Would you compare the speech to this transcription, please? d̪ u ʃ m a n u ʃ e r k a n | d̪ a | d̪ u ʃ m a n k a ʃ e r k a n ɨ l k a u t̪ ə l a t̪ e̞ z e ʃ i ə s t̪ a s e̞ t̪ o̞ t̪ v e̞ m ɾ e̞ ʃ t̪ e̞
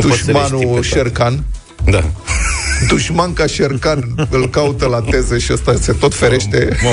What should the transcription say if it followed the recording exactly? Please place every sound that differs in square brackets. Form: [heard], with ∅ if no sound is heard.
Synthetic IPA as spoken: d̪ u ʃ m a n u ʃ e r k a n | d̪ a | d̪ u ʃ m a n k a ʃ e r k a n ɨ l k a u t̪ ə l a t̪ e̞ z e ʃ i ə s t̪ a s e̞ t̪ o̞ t̪ [f] e̞ [∅] ɾ e̞ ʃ t̪ e̞